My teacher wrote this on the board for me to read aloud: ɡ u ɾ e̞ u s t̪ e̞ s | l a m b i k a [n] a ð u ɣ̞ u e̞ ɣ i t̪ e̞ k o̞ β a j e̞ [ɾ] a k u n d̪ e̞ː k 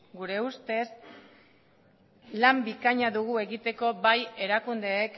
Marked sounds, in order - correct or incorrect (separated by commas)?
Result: incorrect, correct